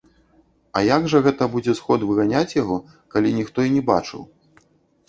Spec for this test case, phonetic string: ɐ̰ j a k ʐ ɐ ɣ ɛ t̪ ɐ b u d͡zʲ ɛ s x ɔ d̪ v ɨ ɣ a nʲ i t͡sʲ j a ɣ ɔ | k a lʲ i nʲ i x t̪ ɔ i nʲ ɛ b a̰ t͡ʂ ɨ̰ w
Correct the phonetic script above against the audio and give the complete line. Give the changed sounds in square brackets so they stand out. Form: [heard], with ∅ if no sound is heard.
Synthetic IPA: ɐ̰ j a [ɡ] ʐ ɐ ɣ ɛ t̪ ɐ b u d͡zʲ ɛ s x ɔ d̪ v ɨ ɣ a nʲ [a] t͡sʲ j a ɣ ɔ | k a lʲ i nʲ i x t̪ ɔ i nʲ ɛ b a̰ t͡ʂ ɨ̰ w